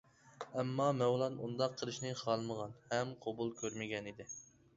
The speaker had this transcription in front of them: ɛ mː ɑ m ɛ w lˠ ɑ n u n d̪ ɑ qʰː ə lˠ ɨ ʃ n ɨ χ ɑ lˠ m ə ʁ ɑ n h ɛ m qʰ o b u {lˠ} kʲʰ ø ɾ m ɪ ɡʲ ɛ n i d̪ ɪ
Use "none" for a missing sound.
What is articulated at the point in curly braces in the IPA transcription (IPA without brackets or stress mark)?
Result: lˠ